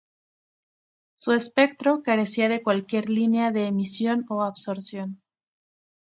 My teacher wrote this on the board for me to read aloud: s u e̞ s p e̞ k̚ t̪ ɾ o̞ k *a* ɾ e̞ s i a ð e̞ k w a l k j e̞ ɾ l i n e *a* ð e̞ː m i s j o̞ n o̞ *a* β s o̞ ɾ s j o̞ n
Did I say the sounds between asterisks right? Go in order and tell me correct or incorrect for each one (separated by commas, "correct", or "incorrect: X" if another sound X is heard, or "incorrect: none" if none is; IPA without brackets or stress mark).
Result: correct, correct, correct